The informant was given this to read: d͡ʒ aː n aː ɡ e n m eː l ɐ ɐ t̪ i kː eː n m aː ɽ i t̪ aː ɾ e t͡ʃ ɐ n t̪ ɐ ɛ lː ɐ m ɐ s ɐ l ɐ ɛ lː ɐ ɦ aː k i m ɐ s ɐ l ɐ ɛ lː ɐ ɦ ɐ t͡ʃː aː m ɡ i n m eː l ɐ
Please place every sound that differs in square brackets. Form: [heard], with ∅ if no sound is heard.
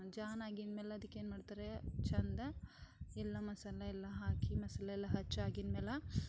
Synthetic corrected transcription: d͡ʒ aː n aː ɡ [i] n m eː l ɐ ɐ [d̪] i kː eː n m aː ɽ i t̪ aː ɾ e t͡ʃ ɐ n [d̪] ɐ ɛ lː ɐ m ɐ s ɐ l ɐ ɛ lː ɐ ɦ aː k i m ɐ s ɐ l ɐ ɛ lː ɐ ɦ ɐ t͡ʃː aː [∅] ɡ i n m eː l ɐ